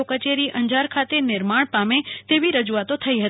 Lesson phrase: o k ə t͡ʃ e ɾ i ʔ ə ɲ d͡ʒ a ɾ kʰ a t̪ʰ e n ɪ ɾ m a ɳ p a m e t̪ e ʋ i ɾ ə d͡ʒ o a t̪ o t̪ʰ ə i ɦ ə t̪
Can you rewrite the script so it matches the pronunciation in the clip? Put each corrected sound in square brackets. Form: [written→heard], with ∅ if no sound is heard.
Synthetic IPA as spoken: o k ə t͡ʃ e ɾ i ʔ ə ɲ d͡ʒ a ɾ kʰ a [t̪ʰ→t̪] e n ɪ ɾ m a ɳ p a m e t̪ e ʋ i ɾ ə d͡ʒ [o→u] a t̪ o t̪ʰ ə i ɦ ə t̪